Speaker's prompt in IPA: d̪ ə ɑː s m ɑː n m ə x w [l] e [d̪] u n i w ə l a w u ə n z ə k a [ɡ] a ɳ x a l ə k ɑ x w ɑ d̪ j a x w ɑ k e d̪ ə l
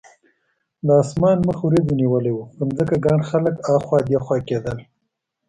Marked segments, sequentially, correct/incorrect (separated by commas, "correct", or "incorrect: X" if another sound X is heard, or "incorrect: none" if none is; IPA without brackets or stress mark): incorrect: ɾ, correct, correct